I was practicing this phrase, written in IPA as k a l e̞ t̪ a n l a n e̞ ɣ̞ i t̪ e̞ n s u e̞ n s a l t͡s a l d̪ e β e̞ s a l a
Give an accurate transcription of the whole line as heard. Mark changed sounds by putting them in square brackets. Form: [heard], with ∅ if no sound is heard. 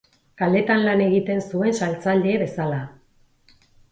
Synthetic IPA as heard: k a l e̞ t̪ a n l a n e̞ ɣ̞ i t̪ e̞ n s u e̞ n s a l t͡s a l d̪ e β e̞ s a l a